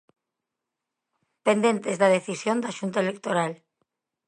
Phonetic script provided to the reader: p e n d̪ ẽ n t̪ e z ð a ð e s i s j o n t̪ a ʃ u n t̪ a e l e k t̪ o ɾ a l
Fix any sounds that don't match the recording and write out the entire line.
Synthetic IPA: p e n d̪ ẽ n t̪ e z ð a ð e θ i s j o n d̪ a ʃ u n t̪ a e l e k t̪ o ɾ a l